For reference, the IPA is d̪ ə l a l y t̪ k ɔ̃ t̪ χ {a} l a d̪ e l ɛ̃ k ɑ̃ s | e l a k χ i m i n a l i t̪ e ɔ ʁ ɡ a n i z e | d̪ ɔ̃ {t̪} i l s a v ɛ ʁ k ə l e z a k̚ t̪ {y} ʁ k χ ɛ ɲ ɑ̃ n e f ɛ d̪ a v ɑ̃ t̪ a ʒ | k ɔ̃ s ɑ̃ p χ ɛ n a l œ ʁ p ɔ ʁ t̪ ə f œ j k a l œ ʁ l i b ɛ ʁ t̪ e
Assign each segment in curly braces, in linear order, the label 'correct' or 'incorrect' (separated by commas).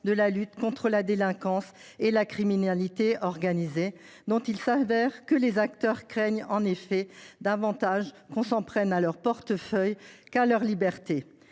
incorrect, correct, incorrect